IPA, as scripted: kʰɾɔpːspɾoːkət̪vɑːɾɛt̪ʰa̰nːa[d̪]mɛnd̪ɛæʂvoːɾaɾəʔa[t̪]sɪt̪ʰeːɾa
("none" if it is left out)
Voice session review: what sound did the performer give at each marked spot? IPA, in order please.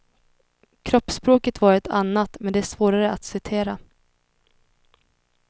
t̪, t̪

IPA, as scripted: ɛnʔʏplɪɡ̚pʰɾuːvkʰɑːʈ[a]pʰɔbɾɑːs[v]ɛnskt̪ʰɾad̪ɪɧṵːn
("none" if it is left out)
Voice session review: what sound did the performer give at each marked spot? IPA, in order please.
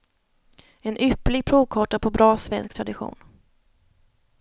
a, v

